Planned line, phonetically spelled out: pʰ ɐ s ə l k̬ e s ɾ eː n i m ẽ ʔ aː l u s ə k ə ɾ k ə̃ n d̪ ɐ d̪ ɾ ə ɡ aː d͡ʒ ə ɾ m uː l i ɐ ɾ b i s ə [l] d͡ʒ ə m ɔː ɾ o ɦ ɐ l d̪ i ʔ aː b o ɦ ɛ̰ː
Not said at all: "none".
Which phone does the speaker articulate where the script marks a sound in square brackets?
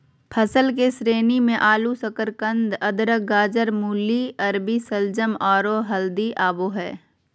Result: l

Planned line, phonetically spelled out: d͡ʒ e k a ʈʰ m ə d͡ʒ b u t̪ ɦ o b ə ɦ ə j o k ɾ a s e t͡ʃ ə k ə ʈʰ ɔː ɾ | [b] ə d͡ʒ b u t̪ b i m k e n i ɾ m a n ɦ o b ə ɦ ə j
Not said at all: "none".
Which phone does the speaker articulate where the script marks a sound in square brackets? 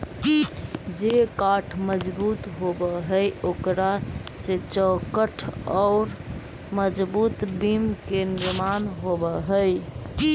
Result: m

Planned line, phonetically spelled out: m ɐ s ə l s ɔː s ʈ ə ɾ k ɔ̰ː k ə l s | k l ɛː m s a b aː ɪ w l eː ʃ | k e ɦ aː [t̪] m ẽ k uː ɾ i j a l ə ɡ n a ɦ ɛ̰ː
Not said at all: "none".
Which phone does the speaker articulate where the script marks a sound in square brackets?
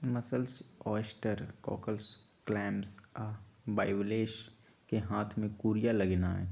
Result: t̪ʰ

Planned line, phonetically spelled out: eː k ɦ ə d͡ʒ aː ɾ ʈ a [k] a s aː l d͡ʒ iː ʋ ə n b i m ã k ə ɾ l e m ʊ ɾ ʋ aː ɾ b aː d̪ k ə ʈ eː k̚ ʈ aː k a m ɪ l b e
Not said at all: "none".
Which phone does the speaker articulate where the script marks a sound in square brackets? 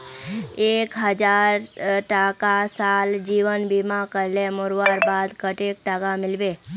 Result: k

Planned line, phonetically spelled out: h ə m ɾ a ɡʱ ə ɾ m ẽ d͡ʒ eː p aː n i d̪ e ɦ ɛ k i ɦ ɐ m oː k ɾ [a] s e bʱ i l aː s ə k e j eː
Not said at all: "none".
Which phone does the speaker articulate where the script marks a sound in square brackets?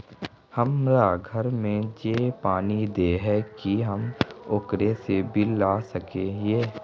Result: e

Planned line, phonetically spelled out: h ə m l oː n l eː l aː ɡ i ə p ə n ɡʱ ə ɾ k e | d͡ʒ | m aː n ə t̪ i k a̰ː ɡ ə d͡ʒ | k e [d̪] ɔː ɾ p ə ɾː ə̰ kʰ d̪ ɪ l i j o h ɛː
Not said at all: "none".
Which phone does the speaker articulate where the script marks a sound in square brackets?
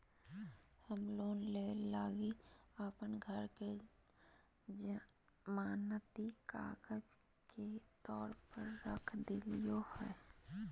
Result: t̪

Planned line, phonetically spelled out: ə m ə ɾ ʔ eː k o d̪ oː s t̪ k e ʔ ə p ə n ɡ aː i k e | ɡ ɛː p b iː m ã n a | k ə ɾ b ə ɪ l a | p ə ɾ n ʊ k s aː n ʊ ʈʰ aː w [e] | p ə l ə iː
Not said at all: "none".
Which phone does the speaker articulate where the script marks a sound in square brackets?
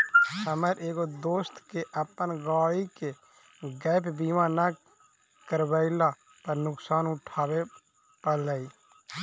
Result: e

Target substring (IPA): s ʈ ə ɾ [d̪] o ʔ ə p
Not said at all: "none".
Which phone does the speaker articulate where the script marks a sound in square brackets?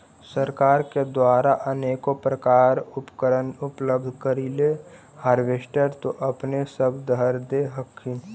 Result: t̪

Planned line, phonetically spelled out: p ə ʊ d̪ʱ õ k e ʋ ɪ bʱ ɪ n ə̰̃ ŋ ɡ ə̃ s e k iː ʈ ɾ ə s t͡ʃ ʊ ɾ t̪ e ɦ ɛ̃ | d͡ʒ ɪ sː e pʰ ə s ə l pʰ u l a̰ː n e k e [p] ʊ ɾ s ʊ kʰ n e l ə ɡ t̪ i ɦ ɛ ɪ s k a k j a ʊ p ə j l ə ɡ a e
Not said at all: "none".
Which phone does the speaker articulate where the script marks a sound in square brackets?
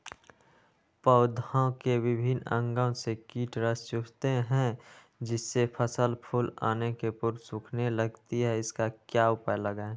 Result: p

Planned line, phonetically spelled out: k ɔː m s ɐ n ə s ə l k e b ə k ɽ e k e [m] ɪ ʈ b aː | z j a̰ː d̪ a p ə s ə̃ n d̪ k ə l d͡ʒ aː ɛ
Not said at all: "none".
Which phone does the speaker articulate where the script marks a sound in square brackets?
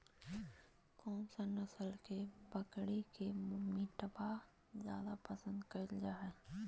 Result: m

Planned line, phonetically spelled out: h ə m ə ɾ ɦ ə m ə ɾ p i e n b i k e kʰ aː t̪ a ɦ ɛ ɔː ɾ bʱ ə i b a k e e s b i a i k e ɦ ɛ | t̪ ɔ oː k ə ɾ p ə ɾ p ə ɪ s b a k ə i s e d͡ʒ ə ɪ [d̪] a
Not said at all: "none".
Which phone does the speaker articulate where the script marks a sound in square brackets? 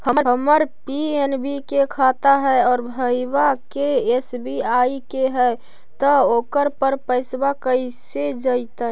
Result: t̪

